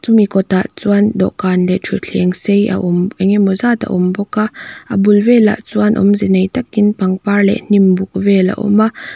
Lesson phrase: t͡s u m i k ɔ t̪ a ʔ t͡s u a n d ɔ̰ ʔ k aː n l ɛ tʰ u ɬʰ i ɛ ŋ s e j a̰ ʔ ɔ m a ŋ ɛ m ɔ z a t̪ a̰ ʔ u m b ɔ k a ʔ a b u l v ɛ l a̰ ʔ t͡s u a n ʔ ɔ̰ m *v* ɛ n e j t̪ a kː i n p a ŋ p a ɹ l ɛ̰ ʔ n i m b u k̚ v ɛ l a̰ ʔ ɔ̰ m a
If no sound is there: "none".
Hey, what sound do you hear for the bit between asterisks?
z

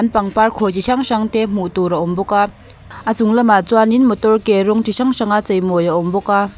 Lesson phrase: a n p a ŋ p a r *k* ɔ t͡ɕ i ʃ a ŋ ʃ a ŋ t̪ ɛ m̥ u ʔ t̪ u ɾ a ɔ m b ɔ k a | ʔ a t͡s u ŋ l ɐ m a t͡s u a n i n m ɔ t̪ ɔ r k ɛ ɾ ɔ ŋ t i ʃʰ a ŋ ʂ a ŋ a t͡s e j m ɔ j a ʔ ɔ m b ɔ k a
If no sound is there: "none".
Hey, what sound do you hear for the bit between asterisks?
kʰ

